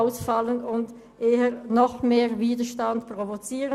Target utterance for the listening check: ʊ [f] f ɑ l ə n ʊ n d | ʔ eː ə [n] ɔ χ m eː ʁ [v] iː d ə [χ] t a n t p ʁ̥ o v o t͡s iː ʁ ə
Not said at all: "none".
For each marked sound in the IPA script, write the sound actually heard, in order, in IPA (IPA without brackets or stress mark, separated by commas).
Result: s, n, v, ʃ